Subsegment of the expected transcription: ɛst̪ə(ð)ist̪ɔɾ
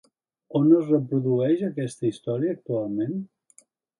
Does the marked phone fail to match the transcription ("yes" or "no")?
yes